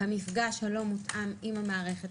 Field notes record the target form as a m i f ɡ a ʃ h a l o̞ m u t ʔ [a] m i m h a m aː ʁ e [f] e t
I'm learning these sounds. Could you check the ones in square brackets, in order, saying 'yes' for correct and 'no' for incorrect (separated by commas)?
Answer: yes, no